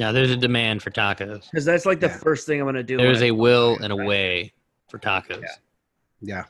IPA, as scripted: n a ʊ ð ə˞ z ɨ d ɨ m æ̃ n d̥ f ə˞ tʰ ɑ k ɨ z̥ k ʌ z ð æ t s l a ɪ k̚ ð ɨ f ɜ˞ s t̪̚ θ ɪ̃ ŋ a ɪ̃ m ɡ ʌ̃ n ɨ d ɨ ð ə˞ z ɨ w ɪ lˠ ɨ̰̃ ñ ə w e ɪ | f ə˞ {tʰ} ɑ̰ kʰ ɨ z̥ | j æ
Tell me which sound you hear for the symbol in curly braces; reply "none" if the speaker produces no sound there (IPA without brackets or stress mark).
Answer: tʰ